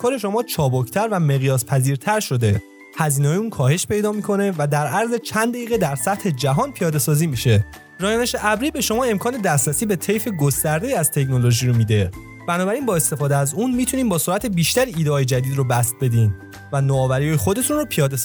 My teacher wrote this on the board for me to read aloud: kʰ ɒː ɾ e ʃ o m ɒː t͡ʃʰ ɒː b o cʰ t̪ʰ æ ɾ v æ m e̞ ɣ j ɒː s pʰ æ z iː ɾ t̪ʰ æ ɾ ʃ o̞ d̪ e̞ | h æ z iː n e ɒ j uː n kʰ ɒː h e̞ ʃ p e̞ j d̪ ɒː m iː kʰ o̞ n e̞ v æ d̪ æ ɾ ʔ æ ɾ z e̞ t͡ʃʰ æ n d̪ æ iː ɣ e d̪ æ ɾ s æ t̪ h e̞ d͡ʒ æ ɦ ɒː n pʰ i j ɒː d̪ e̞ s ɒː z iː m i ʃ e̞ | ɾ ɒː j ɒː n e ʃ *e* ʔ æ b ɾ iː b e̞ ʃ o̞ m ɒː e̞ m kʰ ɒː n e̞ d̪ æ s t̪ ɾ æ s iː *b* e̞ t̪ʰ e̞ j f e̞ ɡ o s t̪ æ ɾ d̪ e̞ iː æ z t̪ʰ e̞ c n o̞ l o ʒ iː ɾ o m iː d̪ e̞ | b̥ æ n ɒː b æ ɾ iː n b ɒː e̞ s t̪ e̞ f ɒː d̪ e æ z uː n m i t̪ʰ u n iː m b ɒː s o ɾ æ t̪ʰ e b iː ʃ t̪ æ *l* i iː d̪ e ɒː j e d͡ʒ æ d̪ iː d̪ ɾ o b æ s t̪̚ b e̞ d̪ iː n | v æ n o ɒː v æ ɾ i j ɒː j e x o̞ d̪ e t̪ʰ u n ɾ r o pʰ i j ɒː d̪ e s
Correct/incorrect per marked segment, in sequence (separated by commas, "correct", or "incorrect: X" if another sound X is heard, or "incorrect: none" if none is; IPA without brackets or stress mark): correct, correct, incorrect: ɾ